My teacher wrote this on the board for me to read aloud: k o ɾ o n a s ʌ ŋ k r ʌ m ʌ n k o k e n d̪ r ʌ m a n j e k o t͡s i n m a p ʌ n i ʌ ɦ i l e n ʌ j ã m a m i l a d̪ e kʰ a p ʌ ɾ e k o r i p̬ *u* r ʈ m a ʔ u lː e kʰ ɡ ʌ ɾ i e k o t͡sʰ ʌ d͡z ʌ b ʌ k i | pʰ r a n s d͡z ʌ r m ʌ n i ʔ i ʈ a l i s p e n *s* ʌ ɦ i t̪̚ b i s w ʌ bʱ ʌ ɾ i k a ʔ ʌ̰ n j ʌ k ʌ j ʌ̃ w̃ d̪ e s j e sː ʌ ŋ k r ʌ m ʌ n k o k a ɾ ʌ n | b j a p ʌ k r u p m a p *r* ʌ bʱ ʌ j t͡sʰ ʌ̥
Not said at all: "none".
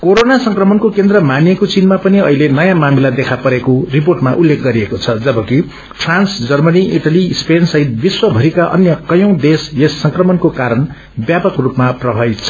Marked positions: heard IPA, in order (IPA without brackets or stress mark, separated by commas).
o, s, r